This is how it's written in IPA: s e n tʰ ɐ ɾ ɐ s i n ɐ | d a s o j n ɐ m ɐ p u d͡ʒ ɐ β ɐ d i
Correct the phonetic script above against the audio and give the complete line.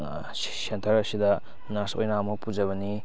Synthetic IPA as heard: s e n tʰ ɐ ɾ ɐ s i d ɐ | n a s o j n a m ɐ p u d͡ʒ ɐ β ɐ n i